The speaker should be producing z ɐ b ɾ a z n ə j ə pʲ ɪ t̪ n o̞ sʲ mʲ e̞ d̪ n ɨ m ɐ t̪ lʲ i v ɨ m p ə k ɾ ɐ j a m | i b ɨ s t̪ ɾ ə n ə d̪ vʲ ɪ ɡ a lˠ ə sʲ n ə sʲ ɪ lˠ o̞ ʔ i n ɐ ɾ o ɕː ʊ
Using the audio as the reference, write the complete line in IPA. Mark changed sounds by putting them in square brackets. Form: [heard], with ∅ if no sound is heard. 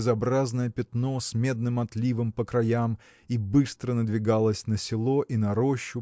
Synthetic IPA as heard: z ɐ b ɾ a z n ə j ə pʲ ɪ t̪ n o̞ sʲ mʲ e̞ d̪ n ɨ m ɐ t̪ lʲ i v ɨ m p ə k ɾ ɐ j a m | i b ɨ s t̪ ɾ ə n ə d̪ vʲ ɪ ɡ a lˠ ə sʲ n ə sʲ ɪ lˠ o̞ ʔ i n ɐ ɾ o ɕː ʊ